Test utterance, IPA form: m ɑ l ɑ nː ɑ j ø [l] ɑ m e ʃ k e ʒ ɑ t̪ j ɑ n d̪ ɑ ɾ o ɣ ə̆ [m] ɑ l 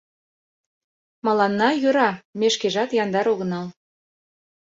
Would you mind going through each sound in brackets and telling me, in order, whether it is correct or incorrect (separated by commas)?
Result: incorrect, incorrect